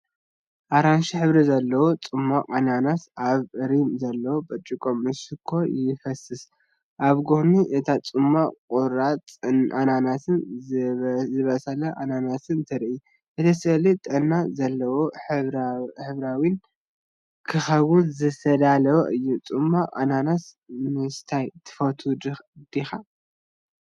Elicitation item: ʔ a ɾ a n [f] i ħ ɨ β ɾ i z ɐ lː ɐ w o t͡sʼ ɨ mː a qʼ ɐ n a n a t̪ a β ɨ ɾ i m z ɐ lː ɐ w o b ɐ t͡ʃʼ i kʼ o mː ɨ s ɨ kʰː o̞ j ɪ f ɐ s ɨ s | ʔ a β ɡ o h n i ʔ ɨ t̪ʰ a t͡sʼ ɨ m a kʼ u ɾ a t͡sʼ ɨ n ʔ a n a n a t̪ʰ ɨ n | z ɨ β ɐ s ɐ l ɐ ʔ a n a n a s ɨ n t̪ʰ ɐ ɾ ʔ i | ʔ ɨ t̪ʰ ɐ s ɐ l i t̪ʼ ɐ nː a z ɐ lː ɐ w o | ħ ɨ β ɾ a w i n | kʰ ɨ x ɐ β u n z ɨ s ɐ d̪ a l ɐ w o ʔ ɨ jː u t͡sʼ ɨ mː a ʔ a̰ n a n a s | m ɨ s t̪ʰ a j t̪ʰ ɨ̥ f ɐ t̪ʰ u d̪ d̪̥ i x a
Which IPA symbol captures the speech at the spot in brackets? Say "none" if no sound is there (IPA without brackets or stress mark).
ʃ